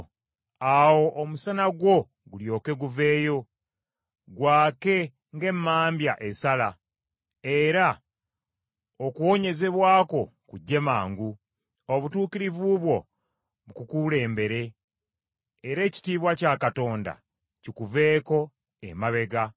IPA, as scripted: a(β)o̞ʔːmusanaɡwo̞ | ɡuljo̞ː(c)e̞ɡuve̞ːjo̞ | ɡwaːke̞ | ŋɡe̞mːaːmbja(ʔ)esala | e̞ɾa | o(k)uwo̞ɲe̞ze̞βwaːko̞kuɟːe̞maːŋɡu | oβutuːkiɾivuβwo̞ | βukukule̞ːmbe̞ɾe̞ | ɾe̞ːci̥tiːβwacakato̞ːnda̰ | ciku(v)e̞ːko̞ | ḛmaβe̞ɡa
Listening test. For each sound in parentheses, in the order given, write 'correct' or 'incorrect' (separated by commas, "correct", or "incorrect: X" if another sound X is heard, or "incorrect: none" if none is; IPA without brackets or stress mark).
incorrect: w, incorrect: k, correct, correct, correct